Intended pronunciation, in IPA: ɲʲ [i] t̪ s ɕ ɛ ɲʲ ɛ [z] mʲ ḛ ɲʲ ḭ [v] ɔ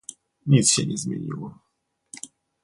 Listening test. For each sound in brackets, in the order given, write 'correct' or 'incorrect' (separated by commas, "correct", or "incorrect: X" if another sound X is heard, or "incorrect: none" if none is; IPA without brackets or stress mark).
correct, correct, incorrect: w